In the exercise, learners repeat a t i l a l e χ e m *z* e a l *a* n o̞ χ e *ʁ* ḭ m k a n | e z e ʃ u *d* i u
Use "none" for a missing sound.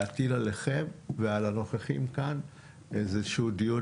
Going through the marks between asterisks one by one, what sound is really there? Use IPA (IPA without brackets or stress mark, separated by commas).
v, a, χ, d